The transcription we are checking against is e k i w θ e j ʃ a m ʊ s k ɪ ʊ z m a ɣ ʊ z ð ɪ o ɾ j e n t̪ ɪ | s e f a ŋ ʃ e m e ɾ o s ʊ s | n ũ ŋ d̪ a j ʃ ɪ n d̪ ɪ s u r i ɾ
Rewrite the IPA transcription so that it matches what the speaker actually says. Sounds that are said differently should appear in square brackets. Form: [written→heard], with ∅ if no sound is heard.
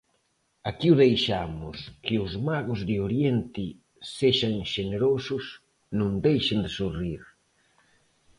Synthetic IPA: [e→a] k i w [θ→ð] e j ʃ a m ʊ s k ɪ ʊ z m a ɣ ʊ z ð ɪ o ɾ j e n t̪ ɪ | s e [f→ʃ] a ŋ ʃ e [m→n] e ɾ o s ʊ s | n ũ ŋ d̪ [a→e] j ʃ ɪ n d̪ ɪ s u r i ɾ